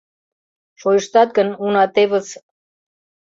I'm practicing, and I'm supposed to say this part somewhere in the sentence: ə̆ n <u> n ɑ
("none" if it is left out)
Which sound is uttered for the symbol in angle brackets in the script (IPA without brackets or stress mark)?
u